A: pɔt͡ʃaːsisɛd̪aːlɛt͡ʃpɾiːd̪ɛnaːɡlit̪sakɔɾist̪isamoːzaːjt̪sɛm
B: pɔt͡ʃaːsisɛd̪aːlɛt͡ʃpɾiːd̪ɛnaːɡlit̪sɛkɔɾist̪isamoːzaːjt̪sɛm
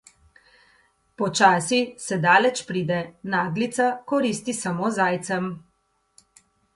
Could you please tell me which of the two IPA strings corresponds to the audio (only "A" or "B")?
A